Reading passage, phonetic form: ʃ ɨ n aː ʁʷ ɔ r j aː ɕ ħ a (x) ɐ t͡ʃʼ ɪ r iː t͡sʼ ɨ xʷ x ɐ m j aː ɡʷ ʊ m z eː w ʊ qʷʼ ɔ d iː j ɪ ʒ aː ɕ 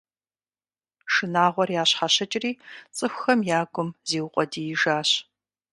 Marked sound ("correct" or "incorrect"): incorrect